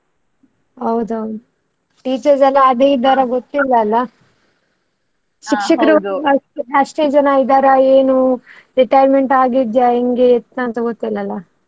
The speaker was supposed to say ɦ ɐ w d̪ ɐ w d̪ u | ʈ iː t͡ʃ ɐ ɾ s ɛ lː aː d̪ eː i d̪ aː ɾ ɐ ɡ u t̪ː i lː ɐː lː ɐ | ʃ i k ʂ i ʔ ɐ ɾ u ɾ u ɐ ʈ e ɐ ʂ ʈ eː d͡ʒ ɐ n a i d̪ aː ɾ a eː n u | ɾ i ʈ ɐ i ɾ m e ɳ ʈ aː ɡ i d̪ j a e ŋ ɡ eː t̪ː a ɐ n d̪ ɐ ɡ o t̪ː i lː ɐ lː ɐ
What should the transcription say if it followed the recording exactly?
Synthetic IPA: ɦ ɐ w d̪ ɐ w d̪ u | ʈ iː t͡ʃ ɐ ɾ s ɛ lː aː d̪ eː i d̪ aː ɾ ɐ ɡ o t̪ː i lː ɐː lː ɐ | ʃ i k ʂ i k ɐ ɾ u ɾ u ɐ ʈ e ɐ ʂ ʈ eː d͡ʒ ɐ n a i d̪ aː ɾ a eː n u | ɾ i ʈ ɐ j ɾ m e ɳ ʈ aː ɡ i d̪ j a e ŋ ɡ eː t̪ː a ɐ n t̪ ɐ ɡ o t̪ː i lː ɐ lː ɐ

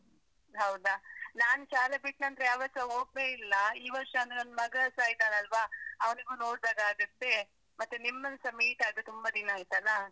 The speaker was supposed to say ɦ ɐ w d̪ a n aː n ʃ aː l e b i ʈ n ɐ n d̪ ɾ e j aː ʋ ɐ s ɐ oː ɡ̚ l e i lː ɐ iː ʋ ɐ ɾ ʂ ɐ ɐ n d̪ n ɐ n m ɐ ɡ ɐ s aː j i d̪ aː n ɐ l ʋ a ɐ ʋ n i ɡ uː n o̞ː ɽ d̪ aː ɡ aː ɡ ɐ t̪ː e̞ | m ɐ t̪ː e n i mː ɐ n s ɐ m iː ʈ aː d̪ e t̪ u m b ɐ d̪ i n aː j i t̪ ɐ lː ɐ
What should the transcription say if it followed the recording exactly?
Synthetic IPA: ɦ ɐ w d̪ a n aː n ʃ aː l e b i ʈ n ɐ n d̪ ɾ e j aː ʋ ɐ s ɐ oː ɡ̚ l e i lː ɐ iː ʋ ɐ ɾ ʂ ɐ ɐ n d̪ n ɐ n m ɐ ɡ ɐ s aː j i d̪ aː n ɐ l ʋ a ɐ ʋ n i ɡ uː n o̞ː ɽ d̪ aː ɡ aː ɡ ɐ t̪ː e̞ | m ɐ t̪ː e n i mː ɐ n s ɐ m iː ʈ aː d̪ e t̪ u m b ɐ d̪ i n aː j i t̪ ɐ lː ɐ

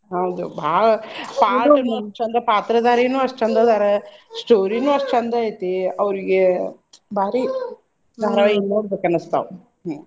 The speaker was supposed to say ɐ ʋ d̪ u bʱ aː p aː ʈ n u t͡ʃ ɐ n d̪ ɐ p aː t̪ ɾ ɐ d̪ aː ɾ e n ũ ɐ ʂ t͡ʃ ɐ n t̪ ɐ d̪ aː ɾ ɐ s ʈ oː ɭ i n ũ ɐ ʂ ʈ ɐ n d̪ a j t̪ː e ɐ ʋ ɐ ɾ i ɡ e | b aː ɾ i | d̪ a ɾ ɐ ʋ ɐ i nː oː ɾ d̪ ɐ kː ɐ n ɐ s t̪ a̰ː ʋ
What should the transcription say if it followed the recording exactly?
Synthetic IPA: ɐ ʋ d̪ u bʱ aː p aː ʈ n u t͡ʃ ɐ n d̪ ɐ p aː t̪ ɾ ɐ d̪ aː ɾ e n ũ ɐ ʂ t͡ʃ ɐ n d̪ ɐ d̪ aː ɾ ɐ s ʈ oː ɾ i n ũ ɐ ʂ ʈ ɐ n d̪ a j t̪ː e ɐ ʋ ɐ ɾ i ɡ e | b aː ɾ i | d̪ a ɾ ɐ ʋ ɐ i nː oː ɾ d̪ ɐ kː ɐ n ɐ s t̪ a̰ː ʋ

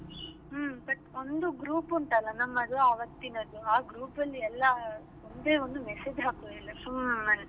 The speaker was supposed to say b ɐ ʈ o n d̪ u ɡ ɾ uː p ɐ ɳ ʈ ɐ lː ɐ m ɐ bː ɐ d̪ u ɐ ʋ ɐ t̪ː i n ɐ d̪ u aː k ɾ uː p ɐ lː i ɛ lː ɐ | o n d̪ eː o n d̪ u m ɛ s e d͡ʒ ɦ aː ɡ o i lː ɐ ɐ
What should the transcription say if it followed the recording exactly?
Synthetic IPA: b ɐ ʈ o n d̪ u ɡ ɾ uː p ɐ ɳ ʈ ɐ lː ɐ n ɐ mː ɐ d̪ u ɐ ʋ ɐ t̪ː i n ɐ d̪ u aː ɡ ɾ uː p ɐ lː i ɛ lː ɐ | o n d̪ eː o n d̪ u m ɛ s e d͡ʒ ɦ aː k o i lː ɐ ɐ

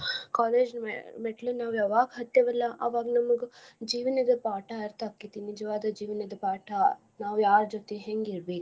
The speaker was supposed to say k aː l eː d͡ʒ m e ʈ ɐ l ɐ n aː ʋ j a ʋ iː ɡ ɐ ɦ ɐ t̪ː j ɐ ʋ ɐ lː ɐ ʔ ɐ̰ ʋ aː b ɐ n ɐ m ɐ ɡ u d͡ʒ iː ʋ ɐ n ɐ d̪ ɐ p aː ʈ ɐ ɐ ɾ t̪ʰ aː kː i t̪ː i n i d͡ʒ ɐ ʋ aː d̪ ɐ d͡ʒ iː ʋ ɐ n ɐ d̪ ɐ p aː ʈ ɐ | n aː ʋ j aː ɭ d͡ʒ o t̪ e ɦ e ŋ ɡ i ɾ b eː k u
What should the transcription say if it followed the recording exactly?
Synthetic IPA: k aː l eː d͡ʒ m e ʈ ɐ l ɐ n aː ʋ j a ʋ aː ɡ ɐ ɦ ɐ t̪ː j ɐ ʋ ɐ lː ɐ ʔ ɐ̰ ʋ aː ɡ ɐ n ɐ m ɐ ɡ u d͡ʒ iː ʋ ɐ n ɐ d̪ ɐ p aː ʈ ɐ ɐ ɾ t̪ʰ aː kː i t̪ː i n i d͡ʒ ɐ ʋ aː d̪ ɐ d͡ʒ iː ʋ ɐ n ɐ d̪ ɐ p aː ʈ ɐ | n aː ʋ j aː ɾ d͡ʒ o t̪ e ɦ e ŋ ɡ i ɾ b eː k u

